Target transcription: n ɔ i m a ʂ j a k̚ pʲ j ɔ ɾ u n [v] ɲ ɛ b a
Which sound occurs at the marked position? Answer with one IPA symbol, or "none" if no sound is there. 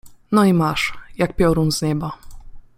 z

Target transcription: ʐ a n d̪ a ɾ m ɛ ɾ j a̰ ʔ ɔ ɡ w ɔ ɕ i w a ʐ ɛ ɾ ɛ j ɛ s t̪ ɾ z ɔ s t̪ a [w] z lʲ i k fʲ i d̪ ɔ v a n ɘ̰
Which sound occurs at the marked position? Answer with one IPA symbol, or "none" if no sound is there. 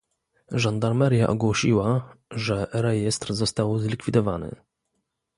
w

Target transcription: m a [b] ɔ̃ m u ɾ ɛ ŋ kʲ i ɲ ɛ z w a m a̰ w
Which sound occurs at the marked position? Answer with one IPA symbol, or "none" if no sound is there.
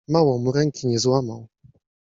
w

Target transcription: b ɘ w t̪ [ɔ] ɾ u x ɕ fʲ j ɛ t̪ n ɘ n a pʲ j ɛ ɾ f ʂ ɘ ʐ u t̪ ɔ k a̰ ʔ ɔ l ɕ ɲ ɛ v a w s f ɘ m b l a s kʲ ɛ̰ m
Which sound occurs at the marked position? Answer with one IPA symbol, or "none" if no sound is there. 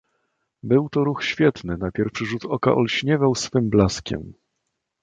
ɔ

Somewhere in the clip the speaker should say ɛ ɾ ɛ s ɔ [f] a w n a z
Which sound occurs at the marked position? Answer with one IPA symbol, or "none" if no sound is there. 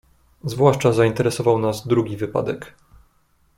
v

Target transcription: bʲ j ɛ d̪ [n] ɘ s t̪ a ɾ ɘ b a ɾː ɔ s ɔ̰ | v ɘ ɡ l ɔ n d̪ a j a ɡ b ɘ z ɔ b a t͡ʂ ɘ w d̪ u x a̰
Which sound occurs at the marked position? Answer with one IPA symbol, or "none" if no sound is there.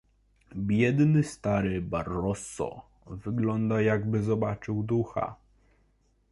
n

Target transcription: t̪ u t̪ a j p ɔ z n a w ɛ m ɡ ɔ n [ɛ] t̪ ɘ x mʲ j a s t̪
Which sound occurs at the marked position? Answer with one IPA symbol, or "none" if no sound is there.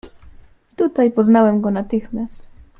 a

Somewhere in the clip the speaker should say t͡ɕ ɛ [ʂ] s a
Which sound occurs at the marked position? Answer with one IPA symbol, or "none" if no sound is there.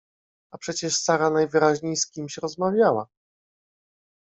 ʂ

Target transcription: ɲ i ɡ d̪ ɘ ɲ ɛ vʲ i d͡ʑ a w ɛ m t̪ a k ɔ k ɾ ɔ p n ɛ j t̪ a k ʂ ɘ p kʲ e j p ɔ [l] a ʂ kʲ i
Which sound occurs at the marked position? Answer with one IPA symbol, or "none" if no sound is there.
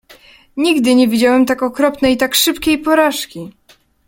ɾ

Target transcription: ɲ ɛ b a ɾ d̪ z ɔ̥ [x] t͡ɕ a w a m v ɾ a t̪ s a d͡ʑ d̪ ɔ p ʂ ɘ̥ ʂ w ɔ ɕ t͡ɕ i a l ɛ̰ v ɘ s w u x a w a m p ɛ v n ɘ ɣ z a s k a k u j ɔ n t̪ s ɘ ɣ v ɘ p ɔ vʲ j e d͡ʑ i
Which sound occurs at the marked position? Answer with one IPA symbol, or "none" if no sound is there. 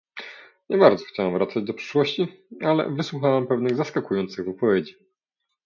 x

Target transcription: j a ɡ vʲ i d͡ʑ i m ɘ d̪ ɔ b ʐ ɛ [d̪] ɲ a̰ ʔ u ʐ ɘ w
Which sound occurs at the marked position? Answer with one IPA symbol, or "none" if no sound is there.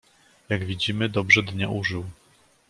d̪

